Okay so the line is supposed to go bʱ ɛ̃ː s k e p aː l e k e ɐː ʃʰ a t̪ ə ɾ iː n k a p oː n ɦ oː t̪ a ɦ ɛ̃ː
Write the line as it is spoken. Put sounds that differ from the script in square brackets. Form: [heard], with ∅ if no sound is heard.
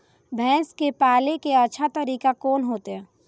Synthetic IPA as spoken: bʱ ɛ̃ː s k e p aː l e k e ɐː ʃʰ a t̪ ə ɾ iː [∅] k a [k] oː n ɦ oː t̪ [e] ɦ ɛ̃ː